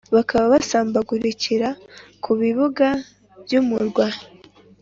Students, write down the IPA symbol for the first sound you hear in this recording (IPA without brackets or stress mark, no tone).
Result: β